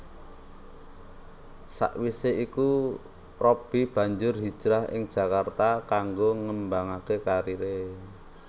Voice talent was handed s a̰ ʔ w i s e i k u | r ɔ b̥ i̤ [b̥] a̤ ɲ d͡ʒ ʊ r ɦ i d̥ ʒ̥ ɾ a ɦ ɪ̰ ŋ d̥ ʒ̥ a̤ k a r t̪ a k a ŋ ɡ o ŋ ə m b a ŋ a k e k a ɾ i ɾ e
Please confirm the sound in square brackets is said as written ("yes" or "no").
yes